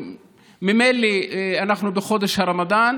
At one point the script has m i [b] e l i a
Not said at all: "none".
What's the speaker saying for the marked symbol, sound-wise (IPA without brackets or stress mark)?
m